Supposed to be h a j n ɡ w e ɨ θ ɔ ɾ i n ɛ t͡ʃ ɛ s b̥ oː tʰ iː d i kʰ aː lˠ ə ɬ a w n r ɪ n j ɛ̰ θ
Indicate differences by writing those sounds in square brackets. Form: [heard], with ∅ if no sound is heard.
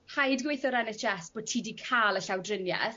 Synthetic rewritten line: h a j [d] ɡ w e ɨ θ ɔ ɾ [ɛ] n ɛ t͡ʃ ɛ s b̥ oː tʰ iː d i kʰ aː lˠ ə ɬ a w [d] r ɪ n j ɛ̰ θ